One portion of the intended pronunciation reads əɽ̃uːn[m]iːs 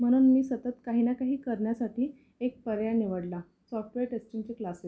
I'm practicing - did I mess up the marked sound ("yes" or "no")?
no